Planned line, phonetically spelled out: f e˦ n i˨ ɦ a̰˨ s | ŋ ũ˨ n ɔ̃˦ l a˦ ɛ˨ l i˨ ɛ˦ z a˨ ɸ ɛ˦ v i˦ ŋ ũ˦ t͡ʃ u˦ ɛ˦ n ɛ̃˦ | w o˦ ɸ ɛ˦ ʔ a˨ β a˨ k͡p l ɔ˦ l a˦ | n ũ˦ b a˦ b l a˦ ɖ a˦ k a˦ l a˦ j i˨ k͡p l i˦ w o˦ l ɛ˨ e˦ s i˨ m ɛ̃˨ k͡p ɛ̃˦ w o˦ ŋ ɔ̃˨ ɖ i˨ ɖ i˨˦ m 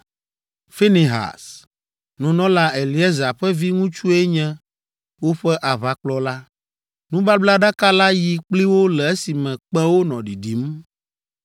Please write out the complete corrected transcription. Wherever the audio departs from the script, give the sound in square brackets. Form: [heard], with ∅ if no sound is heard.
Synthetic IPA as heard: f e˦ n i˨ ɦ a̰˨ s | [n] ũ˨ n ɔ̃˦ l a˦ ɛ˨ l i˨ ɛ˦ z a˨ ɸ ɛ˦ v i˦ ŋ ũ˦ t͡ʃ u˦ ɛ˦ [ɲ] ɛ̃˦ | w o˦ ɸ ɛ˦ ʔ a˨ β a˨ k͡p l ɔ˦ l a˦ | n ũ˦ b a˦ b l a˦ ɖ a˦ k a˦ l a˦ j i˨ k͡p l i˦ w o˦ l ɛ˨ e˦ s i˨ m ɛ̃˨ k͡p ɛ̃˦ w o˦ [n] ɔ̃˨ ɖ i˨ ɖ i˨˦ m

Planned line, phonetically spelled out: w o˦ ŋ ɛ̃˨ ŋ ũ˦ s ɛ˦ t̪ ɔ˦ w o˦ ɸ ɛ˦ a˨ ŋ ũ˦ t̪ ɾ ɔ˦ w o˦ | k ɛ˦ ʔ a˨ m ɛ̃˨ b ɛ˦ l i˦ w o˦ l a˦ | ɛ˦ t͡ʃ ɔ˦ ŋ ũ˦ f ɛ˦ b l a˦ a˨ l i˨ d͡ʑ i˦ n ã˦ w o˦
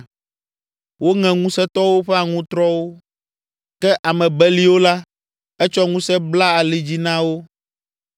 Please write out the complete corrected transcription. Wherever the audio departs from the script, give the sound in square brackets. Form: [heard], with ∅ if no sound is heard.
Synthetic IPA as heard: w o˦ ŋ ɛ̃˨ ŋ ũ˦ s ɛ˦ t̪ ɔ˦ w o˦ ɸ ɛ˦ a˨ ŋ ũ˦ t̪ ɾ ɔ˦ w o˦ | k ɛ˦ ʔ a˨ m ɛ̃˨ b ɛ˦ l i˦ w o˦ l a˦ | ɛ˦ t͡ʃ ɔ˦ ŋ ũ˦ [s] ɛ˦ b l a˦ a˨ l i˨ d͡ʑ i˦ n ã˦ w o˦

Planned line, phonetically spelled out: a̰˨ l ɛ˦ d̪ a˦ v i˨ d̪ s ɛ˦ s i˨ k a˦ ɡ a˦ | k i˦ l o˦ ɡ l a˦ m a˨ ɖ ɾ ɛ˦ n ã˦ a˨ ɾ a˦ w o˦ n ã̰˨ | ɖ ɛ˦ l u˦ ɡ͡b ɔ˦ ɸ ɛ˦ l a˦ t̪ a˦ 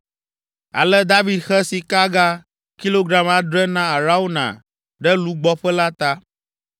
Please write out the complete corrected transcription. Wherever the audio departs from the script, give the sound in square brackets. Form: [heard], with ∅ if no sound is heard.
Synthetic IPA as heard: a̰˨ l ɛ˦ d̪ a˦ v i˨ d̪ [x] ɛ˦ s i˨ k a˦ ɡ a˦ | k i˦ l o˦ ɡ [ɾ] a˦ m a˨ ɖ ɾ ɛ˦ n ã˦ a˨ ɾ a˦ w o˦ n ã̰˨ | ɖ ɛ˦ l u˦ ɡ͡b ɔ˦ ɸ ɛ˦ l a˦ t̪ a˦

